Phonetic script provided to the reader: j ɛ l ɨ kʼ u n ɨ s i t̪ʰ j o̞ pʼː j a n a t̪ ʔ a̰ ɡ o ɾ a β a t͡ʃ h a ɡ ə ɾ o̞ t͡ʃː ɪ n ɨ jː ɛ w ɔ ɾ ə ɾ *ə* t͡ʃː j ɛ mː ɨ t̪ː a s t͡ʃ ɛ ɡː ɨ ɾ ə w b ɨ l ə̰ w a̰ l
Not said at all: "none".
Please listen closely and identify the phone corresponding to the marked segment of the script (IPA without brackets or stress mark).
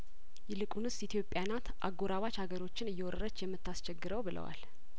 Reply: ə